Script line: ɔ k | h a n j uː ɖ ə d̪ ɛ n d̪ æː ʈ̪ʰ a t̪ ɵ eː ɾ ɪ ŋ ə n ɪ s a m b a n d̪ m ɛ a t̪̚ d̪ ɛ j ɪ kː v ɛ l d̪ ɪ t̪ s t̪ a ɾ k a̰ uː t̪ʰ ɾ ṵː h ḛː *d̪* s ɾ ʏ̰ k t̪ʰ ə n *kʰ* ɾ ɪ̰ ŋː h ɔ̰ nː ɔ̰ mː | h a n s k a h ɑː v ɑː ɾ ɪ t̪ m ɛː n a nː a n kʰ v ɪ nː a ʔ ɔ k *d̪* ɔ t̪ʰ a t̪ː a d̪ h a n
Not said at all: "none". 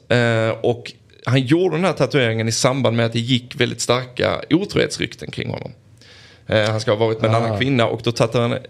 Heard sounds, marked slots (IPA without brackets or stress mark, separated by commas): t̪, kʰ, d̪